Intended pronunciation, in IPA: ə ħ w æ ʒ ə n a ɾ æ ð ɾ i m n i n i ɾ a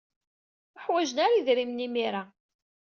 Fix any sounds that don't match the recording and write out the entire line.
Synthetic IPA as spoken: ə ħ w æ ʒ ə n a ɾ i ð ɾ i m n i m i ɾ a